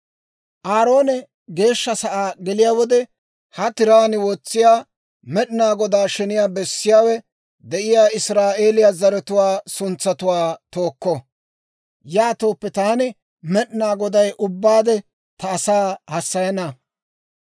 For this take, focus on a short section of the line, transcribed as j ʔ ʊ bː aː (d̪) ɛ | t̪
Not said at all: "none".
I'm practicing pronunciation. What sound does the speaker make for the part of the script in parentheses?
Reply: d̪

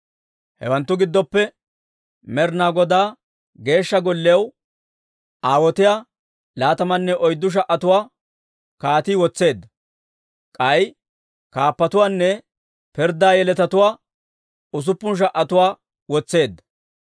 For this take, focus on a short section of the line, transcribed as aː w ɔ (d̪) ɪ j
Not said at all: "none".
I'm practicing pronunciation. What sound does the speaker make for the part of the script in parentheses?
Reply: t̪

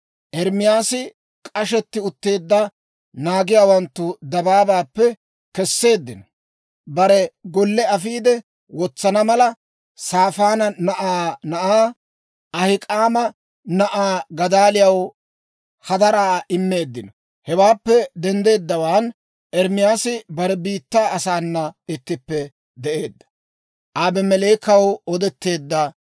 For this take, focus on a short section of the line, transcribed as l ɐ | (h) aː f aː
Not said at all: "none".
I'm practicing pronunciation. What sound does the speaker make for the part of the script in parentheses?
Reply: s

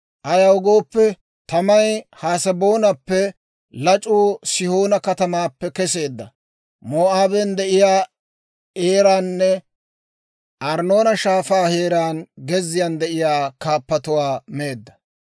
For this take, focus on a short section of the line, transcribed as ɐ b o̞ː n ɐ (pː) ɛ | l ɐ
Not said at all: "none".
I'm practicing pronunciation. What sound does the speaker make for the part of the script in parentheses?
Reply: pː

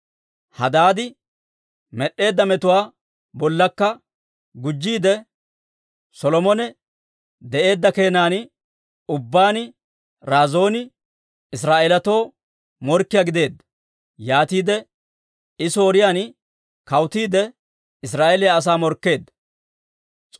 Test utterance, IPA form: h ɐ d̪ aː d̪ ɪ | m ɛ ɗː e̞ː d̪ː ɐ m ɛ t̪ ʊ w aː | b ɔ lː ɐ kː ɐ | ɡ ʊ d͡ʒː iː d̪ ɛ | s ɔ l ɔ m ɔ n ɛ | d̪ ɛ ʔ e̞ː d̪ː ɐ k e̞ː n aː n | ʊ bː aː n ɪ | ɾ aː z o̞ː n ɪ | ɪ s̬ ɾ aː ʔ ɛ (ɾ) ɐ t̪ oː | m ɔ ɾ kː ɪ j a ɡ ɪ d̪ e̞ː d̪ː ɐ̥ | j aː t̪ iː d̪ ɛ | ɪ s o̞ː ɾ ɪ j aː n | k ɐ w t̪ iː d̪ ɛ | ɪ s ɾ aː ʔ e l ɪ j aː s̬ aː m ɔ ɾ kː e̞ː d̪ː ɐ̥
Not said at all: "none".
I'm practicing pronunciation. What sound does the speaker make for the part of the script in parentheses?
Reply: l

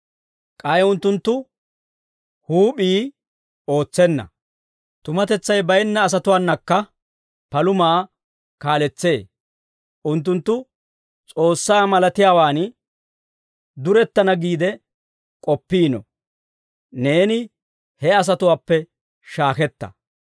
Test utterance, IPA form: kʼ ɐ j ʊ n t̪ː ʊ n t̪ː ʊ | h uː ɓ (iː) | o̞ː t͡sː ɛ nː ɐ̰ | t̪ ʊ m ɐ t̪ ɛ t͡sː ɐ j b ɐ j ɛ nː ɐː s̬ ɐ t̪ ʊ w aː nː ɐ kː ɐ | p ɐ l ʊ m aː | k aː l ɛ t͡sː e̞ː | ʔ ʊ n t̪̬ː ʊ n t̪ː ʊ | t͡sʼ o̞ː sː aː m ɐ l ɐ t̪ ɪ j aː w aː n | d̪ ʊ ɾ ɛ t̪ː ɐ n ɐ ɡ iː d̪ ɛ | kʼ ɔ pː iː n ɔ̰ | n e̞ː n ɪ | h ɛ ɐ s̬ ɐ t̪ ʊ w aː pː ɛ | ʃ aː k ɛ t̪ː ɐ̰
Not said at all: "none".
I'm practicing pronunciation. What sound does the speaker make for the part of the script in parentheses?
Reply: iː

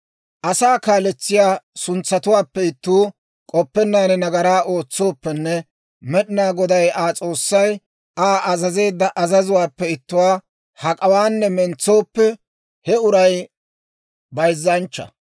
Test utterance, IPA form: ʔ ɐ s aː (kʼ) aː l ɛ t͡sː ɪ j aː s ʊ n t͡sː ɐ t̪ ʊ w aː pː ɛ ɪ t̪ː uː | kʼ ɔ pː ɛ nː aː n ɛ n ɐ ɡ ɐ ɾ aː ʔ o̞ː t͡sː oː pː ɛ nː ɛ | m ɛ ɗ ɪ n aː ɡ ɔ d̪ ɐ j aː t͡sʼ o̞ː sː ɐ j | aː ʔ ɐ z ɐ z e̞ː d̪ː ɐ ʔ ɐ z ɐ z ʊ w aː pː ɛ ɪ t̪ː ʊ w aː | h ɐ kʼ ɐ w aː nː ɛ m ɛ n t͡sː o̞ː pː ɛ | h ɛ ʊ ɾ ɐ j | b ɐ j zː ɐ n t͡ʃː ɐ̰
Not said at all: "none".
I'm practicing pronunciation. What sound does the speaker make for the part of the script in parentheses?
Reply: k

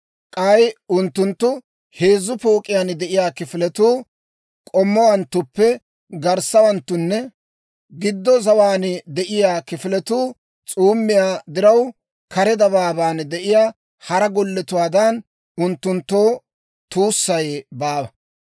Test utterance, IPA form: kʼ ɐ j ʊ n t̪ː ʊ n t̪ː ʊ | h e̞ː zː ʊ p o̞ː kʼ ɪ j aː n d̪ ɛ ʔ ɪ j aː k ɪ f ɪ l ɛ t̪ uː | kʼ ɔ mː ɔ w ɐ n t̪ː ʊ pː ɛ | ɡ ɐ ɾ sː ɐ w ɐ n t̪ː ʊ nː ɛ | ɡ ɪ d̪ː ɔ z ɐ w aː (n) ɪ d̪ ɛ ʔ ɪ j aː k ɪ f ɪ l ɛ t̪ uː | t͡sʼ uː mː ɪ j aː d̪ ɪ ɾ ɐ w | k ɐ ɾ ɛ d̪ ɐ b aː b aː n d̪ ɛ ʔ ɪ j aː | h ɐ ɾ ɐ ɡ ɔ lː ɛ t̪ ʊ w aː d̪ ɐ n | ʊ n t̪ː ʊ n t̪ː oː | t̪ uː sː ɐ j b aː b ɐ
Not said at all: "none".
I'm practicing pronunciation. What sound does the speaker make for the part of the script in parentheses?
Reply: n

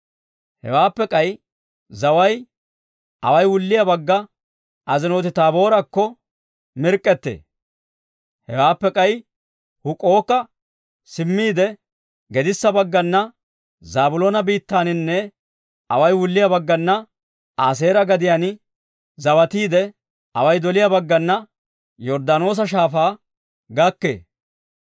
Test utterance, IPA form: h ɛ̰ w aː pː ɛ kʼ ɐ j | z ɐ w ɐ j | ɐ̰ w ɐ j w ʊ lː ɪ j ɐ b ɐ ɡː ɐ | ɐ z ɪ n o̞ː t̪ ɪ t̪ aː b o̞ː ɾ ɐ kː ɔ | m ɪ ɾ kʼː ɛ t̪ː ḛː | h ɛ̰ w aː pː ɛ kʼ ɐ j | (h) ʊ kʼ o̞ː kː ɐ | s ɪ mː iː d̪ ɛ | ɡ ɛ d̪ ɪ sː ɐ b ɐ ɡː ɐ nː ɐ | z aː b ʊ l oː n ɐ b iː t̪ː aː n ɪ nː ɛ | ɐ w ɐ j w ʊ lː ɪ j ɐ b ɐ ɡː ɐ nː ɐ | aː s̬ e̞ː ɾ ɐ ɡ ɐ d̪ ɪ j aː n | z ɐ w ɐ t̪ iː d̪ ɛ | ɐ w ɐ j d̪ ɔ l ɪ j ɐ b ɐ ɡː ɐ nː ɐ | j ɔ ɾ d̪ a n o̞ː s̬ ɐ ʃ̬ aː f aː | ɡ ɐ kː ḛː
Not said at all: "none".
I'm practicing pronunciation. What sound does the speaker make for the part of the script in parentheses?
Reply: h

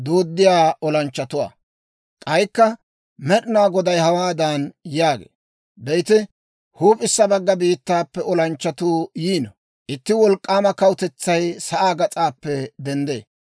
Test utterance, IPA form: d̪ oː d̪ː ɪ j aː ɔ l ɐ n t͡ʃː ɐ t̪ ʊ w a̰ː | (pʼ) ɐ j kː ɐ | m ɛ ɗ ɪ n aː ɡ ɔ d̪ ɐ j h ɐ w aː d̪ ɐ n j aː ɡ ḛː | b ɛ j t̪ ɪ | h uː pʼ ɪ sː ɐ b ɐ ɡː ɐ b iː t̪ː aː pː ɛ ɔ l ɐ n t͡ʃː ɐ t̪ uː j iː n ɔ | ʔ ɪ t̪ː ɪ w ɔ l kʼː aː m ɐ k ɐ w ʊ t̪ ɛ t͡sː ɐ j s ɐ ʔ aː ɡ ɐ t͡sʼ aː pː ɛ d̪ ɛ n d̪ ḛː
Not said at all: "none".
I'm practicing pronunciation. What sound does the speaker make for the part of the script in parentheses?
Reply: kʼ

